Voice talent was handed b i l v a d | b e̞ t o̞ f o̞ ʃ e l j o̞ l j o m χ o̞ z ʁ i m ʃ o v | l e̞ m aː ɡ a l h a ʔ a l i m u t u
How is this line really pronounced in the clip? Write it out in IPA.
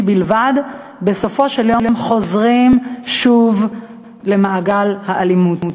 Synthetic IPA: b i l v a d | b e̞ s o̞ f o̞ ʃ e l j o̞ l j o m χ o̞ z ʁ i m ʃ u v | l e̞ m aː ɡ a l h a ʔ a l i m u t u